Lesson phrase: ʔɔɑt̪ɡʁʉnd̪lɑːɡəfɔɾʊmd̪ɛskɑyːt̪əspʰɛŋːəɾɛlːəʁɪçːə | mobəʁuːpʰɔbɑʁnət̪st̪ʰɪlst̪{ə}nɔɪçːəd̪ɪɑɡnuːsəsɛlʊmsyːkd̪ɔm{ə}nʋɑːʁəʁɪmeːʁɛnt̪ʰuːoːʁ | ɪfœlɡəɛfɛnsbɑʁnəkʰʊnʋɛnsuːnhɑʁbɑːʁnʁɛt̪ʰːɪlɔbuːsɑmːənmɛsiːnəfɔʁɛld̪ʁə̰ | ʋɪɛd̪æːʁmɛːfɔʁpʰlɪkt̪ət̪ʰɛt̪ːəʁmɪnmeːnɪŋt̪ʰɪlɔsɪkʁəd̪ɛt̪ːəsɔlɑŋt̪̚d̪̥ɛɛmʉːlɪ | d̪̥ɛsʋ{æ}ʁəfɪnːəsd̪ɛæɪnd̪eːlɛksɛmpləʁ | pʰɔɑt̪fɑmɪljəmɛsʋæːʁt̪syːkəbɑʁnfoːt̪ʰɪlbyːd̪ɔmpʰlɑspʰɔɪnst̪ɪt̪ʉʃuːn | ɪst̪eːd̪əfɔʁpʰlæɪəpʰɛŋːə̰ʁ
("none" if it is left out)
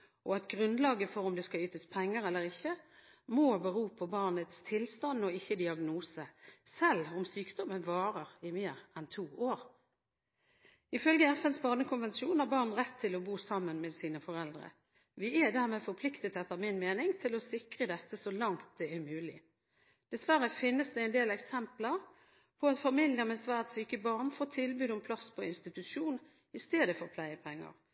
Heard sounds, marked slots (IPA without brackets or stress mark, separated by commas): ɑ, ə, æ